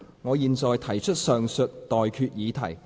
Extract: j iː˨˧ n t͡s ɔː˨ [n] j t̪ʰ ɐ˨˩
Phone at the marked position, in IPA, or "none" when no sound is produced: none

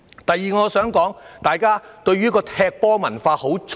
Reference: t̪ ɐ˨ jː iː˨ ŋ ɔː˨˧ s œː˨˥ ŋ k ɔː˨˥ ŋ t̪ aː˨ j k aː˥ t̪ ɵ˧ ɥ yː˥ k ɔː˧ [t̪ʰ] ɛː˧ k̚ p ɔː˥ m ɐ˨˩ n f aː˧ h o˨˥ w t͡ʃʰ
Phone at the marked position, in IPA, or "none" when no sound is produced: t̪ʰ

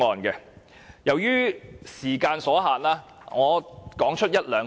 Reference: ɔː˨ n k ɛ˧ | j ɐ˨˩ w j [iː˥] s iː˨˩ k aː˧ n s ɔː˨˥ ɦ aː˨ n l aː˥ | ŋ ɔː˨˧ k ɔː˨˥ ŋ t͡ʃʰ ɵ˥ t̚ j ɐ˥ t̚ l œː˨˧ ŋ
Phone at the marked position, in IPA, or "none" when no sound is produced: yː˥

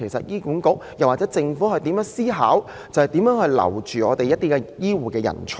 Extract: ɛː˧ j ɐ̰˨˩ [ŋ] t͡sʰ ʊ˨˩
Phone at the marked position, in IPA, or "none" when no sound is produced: n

